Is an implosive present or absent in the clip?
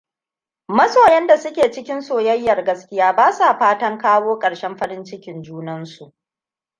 absent